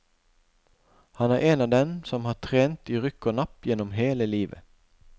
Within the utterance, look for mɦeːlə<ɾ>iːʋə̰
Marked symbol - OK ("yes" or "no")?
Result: no